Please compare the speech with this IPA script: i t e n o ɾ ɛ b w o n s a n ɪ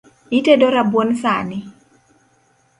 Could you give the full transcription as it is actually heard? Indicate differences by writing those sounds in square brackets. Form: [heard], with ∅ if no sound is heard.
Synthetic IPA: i t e [d] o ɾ [a] b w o n s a n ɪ